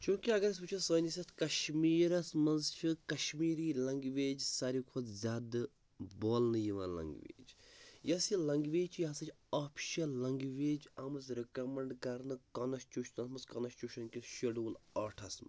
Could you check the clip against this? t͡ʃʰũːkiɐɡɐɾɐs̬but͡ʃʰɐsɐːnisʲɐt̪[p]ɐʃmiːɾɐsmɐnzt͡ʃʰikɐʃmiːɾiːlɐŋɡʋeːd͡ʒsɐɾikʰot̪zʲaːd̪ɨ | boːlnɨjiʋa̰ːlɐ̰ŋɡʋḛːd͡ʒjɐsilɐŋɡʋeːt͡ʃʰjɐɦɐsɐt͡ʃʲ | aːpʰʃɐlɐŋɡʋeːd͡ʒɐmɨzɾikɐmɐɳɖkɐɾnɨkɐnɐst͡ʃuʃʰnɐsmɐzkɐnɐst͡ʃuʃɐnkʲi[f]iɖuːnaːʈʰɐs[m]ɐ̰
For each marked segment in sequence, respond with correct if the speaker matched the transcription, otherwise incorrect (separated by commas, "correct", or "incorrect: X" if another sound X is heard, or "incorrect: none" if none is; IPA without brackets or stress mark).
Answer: incorrect: k, incorrect: ʃ, correct